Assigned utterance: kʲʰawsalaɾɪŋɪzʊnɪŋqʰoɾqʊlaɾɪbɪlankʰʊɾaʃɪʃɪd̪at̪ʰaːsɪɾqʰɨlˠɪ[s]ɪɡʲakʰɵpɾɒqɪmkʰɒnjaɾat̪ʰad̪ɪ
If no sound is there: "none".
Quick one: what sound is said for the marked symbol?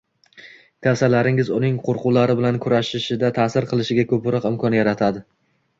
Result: ʃ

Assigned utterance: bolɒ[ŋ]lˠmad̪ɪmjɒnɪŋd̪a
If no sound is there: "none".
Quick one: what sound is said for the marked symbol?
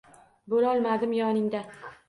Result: none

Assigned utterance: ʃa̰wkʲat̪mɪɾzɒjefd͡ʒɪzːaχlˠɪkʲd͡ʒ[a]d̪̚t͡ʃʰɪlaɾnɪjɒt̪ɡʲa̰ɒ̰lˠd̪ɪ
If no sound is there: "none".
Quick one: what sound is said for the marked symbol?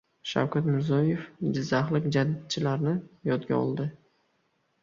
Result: a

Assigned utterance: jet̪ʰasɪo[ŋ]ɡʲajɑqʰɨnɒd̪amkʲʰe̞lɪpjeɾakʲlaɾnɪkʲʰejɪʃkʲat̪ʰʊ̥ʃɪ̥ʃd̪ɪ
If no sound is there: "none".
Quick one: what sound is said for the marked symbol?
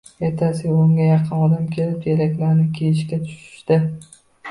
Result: ŋ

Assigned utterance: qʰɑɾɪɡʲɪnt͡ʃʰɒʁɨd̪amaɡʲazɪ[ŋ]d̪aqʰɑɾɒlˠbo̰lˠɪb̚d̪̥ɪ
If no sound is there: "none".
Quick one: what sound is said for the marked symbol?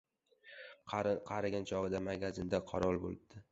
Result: n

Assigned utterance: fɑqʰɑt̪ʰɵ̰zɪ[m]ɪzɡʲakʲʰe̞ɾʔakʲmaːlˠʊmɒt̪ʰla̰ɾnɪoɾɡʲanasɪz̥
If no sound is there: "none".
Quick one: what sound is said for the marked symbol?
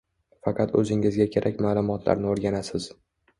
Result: ŋ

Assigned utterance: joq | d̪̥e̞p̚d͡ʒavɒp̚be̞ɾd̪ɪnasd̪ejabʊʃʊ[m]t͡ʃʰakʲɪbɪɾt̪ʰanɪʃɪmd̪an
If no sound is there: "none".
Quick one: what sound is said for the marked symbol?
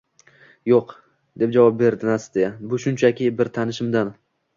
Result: n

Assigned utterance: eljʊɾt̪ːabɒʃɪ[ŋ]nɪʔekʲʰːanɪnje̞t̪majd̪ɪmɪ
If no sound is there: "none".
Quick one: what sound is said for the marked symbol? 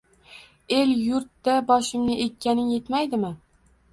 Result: m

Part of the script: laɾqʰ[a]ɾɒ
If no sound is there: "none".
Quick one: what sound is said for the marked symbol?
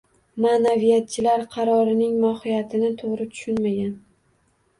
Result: ɑ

